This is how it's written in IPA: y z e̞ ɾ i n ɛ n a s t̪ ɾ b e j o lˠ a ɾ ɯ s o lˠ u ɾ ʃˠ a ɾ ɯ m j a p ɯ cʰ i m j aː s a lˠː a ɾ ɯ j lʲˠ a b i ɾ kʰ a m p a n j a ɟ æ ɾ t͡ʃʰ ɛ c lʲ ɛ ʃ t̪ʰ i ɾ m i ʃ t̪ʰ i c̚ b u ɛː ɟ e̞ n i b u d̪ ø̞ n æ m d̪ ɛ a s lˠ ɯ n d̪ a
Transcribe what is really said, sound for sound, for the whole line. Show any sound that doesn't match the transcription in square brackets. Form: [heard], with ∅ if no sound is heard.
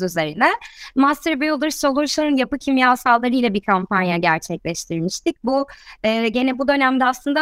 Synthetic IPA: y z e̞ ɾ i n ɛ [m] a s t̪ ɾ b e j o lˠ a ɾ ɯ s o lˠ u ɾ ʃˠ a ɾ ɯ [n] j a p ɯ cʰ i m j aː s a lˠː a ɾ ɯ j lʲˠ a b i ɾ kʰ a m p a n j a ɟ æ ɾ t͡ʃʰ ɛ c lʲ ɛ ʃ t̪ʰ i ɾ m i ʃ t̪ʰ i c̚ b u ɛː ɟ e̞ n [ɛ] b u d̪ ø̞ n æ m d̪ ɛ a s lˠ ɯ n d̪ a